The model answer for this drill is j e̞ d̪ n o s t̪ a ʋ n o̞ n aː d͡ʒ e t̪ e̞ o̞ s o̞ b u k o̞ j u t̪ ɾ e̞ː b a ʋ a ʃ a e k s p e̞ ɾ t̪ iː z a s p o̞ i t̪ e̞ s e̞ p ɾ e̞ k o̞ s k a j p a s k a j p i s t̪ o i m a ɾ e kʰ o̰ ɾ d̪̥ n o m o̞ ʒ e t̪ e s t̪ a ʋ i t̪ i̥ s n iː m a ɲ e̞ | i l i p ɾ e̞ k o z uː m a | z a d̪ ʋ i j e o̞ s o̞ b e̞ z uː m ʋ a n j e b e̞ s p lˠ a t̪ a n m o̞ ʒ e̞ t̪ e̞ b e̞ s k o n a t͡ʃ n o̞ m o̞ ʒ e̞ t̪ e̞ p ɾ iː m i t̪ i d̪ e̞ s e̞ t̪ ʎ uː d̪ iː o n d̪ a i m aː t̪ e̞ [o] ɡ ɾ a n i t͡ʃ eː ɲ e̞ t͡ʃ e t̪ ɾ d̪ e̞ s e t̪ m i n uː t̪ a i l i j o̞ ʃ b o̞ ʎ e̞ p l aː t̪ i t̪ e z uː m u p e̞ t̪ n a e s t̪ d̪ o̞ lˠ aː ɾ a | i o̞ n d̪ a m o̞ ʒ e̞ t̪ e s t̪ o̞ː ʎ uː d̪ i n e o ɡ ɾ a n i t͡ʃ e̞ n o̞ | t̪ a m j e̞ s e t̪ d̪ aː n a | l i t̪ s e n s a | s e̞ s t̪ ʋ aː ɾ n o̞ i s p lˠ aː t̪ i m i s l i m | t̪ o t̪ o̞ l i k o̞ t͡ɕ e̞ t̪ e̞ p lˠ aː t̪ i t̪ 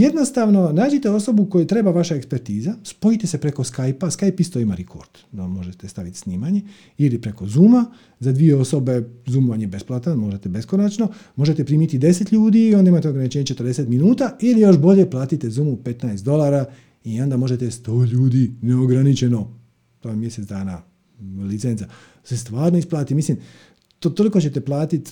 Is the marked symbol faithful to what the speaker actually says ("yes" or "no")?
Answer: yes